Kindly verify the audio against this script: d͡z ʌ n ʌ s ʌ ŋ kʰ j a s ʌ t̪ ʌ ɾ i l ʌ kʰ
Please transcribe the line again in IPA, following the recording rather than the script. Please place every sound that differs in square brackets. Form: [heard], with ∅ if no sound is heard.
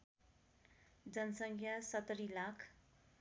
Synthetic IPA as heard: d͡z ʌ n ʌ s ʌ ŋ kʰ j a s ʌ t̪ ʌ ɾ i l [a] kʰ